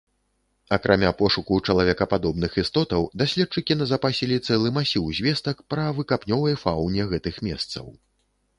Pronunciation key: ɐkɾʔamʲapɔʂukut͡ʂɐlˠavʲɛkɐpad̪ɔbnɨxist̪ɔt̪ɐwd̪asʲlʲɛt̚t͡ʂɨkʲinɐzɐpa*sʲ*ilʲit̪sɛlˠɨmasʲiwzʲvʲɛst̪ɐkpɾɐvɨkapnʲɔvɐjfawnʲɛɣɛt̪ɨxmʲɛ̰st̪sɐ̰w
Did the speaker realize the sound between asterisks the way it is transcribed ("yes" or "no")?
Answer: yes